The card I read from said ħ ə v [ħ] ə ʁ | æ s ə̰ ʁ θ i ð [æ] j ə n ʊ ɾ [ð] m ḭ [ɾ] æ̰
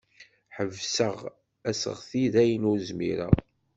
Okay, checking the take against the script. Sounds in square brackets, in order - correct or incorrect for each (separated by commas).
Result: incorrect, correct, incorrect, correct